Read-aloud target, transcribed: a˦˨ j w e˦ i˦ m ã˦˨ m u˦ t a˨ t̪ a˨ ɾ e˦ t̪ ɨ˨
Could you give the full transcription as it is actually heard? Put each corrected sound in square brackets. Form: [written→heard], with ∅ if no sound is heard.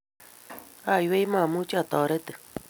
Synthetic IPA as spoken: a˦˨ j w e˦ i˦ m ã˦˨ m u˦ [t→t͡ʃ] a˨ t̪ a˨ ɾ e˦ t̪ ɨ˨